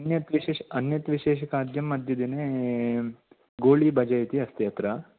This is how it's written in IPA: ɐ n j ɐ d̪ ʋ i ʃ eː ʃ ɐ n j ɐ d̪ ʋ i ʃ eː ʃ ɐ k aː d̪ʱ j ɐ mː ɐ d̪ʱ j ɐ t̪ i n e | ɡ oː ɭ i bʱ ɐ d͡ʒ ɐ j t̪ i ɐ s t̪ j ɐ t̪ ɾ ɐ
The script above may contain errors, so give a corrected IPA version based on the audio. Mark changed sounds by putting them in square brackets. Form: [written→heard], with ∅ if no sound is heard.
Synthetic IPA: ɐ n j ɐ [d̪→t̪] ʋ i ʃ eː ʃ ɐ n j ɐ [d̪→t̪] ʋ i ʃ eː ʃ ɐ k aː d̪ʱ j ɐ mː ɐ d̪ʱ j ɐ [t̪→d̪] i n e | ɡ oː ɭ i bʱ ɐ d͡ʒ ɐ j t̪ i ɐ s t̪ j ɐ t̪ ɾ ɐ

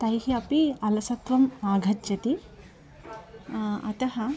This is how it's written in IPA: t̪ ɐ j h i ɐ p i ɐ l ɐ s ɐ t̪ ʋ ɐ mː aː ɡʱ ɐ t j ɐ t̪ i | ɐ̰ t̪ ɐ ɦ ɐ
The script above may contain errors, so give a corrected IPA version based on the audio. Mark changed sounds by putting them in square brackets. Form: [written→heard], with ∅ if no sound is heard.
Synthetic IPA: t̪ ɐ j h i ɐ p i ɐ l ɐ s ɐ t̪ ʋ ɐ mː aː ɡʱ ɐ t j ɐ t̪ i | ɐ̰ t̪ ɐ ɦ ɐ

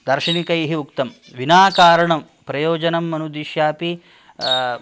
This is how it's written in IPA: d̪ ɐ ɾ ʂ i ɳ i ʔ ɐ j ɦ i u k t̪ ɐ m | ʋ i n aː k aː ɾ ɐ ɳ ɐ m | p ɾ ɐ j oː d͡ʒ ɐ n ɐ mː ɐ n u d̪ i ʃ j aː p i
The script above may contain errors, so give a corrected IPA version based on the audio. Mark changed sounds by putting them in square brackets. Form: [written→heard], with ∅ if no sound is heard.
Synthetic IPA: d̪ ɐ ɾ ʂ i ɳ i [ʔ→k] ɐ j ɦ i u k t̪ ɐ m | ʋ i n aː k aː ɾ ɐ ɳ ɐ m | p ɾ ɐ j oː d͡ʒ ɐ n ɐ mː ɐ n u d̪ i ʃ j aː p i

